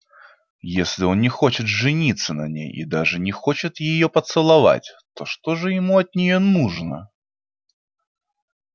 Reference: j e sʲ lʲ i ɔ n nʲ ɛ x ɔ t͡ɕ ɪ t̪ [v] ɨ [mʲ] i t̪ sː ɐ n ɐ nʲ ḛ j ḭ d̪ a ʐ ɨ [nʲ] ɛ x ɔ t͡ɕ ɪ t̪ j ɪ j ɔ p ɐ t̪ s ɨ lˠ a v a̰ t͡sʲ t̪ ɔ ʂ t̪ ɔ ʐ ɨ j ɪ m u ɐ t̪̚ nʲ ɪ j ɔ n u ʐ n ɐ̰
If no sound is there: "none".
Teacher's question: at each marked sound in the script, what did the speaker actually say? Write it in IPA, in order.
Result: ʐ, nʲ, nʲ

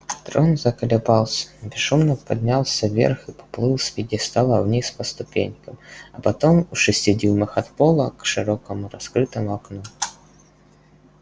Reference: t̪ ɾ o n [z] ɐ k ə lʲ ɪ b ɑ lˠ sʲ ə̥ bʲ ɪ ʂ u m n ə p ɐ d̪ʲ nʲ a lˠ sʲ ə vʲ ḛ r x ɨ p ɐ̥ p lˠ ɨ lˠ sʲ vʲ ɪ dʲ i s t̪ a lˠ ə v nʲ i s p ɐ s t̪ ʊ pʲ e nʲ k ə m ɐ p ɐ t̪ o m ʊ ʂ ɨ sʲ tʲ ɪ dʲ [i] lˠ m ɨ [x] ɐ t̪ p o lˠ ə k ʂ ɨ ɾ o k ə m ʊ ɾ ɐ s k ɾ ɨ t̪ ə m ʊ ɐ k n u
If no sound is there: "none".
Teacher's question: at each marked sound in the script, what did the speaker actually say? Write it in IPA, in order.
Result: z, i, x

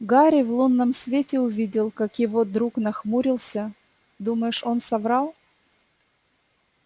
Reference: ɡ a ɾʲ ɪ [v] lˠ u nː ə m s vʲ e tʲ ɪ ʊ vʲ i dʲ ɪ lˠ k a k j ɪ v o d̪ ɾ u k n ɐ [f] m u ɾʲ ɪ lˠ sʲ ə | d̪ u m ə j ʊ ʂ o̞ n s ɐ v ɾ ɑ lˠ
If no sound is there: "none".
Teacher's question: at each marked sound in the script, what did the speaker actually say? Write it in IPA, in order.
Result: v, x

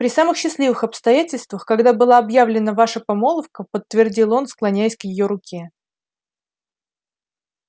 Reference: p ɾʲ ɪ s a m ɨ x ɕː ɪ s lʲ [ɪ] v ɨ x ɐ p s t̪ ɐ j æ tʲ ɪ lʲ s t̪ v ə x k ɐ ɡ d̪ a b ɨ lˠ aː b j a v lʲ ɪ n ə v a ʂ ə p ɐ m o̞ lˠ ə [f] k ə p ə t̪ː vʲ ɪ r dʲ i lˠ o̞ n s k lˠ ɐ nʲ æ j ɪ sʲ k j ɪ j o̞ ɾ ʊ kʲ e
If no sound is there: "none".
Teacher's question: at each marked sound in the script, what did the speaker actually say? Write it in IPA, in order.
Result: i, f

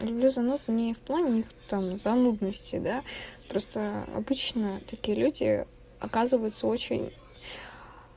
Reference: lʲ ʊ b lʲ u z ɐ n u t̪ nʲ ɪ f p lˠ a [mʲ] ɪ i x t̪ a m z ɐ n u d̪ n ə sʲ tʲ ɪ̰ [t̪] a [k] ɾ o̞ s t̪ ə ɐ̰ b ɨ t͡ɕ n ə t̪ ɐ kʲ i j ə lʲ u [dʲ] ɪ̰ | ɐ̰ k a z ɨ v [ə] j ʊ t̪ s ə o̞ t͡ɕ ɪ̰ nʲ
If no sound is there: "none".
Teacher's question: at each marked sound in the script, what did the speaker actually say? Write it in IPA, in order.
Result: nʲ, d̪, p, dʲ, ə

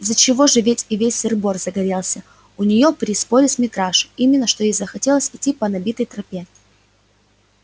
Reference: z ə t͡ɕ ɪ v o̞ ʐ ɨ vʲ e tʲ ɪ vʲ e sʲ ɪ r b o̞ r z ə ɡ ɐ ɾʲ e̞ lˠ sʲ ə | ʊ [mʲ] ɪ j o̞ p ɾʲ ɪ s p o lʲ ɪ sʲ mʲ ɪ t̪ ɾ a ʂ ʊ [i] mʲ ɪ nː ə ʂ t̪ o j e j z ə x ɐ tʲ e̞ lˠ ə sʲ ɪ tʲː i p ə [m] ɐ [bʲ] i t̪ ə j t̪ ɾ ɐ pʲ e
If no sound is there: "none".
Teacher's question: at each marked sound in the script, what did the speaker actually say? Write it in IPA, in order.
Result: nʲ, i, n, bʲ

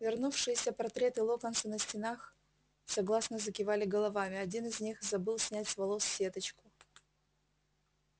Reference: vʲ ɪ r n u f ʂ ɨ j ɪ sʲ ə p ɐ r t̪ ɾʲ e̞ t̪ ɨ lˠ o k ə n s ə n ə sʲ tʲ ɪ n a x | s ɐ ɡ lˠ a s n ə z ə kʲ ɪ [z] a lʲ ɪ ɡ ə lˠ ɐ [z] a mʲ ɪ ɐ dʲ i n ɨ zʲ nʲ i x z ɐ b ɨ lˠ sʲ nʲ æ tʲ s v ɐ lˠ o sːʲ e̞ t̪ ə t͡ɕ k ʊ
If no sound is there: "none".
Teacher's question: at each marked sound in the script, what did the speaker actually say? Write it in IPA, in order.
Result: v, v

